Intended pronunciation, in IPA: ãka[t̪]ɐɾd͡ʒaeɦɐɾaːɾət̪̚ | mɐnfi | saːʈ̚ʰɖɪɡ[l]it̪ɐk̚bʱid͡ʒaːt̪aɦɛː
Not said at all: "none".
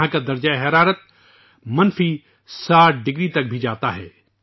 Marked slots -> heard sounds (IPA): d̪, ɾ

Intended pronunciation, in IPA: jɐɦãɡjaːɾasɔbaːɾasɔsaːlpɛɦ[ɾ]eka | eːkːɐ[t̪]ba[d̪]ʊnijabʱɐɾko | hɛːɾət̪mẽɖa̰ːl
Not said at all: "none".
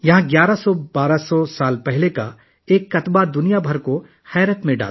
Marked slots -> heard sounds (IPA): l, t̪, d̪

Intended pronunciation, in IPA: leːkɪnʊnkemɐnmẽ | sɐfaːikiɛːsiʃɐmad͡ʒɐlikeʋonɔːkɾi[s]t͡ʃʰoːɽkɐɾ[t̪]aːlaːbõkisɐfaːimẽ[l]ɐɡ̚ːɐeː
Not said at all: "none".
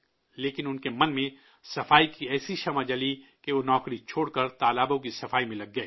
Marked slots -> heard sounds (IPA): none, t̪, l

